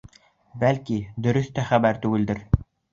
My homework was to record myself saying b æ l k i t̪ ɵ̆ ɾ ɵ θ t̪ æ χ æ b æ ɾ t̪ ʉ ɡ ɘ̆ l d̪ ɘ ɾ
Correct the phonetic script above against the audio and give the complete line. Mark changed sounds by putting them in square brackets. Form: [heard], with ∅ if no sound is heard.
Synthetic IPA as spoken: b æ l k i [d̪] ɵ̆ ɾ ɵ θ t̪ æ χ æ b æ ɾ t̪ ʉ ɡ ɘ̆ l d̪ ɘ ɾ